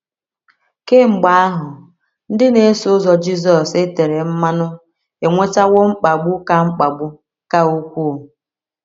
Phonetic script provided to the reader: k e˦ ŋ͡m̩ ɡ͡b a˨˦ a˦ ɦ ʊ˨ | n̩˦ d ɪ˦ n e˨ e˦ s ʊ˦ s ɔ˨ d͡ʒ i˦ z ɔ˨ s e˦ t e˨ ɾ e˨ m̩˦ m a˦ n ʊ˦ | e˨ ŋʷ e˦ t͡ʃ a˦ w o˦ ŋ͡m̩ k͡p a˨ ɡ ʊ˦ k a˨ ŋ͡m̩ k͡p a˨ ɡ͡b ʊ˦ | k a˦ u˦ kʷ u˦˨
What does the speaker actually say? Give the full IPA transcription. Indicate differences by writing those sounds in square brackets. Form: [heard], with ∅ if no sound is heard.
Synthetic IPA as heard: k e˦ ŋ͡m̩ ɡ͡b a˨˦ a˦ ɦ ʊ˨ | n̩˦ d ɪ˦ n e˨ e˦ s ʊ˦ [z] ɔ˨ d͡ʒ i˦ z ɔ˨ s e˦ t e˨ ɾ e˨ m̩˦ m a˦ n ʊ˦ | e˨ ŋʷ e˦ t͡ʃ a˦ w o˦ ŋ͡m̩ k͡p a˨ [ɡ͡b] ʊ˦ k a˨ ŋ͡m̩ k͡p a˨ ɡ͡b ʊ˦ | k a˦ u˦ kʷ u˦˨